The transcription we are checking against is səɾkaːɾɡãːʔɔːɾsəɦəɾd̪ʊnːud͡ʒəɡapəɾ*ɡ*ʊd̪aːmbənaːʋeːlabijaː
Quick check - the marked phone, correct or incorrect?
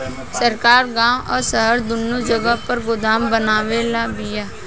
correct